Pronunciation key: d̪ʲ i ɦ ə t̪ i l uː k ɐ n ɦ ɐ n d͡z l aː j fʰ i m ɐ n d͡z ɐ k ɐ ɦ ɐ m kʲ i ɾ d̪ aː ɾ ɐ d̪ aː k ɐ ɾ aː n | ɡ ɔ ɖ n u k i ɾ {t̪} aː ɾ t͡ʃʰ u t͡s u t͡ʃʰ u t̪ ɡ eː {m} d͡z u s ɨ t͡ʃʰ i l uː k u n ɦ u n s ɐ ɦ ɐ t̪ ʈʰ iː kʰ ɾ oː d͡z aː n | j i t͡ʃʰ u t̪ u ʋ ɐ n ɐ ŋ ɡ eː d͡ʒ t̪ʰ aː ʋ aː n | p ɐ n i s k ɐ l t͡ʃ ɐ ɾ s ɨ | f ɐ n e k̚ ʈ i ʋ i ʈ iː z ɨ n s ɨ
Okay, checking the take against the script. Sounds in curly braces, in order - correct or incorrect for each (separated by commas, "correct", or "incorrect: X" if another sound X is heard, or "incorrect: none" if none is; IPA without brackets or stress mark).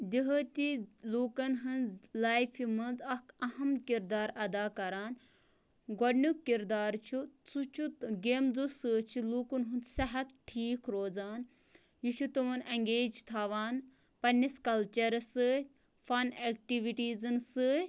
incorrect: d̪, correct